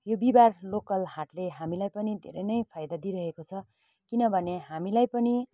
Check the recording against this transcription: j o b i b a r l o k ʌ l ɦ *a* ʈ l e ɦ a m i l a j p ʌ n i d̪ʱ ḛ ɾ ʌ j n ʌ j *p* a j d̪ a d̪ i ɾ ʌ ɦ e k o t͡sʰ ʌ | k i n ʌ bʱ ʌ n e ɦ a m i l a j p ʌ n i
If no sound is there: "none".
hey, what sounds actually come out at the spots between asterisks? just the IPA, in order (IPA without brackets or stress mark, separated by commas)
a, pʰ